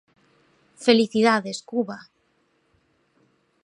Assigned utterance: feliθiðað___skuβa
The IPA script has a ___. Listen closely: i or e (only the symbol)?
e